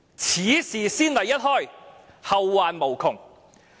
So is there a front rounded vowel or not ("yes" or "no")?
no